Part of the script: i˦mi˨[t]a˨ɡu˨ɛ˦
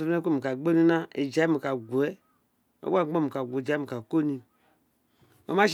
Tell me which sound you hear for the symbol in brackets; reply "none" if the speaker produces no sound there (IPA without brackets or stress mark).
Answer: k